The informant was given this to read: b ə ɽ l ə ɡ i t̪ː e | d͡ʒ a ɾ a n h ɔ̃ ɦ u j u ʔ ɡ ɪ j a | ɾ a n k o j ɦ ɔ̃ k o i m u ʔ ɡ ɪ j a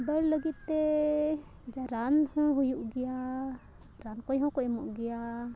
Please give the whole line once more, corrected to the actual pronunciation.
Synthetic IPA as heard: b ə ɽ l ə ɡ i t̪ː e | d͡ʒ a ɾ a n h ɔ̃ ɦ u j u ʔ ɡ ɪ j a | ɾ a n k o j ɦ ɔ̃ k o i m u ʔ ɡ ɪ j a

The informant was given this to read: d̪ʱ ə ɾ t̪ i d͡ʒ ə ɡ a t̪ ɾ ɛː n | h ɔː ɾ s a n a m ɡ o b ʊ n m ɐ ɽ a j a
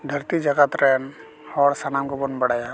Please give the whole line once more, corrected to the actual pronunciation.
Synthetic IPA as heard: d̪ʱ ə ɾ t̪ i d͡ʒ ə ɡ a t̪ ɾ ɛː n | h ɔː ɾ s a n a m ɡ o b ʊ n b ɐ ɽ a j a

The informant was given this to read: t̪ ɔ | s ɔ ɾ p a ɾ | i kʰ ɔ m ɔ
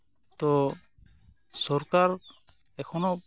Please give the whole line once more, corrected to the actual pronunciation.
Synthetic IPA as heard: t̪ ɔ | s ɔ ɾ k a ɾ | ɛ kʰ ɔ n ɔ

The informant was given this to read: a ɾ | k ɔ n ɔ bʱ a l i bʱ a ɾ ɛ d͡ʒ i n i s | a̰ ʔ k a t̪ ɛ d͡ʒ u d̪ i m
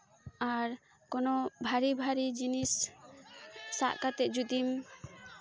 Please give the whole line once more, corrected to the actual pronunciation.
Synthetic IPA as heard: a ɾ | k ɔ n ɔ bʱ a ɾ i bʱ a ɾ i d͡ʒ i n i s | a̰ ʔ k a t̪ ɛ d͡ʒ u d̪ i m

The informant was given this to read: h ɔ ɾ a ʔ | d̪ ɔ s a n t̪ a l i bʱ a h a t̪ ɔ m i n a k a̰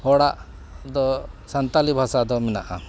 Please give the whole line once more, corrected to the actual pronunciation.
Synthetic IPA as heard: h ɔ ɽ a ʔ | d̪ ɔ s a n t̪ a l i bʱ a s a d̪ ɔ m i n a ʔ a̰

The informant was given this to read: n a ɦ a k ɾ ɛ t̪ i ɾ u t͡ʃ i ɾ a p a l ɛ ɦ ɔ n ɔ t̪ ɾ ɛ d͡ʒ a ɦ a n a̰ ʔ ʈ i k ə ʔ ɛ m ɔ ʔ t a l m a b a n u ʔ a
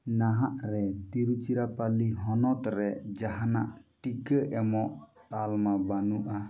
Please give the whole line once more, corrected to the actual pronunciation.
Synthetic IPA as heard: n a ɦ a ʔ ɾ ɛ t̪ i ɾ u t͡ʃ i ɾ a p a l i ɦ ɔ n ɔ t̪ ɾ ɛ d͡ʒ a ɦ a n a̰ ʔ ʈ i k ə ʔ ɛ m ɔ ʔ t a l m a b a n u ʔ a

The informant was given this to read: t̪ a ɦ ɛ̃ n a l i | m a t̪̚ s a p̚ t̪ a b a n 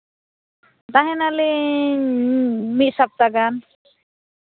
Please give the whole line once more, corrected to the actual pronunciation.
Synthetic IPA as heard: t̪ a ɦ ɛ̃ n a l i | m i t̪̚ s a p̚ t̪ a ɡ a n

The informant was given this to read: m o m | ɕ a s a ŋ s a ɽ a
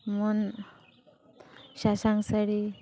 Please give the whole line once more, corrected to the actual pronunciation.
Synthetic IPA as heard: m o n | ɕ a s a ŋ s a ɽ i

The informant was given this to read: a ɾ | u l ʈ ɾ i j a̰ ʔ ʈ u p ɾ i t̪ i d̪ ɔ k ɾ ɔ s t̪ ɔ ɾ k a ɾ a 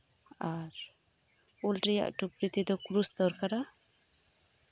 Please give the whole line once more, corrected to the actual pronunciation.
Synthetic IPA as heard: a ɾ | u l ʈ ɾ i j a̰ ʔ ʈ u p ɾ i t̪ i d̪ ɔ k ɾ u s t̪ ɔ ɾ k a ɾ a

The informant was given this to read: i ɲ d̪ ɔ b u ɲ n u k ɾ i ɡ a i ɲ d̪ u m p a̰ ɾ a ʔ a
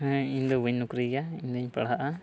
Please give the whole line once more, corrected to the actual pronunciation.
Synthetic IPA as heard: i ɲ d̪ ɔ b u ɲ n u k ɾ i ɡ a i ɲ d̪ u ɲ p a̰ ɽ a ʔ a

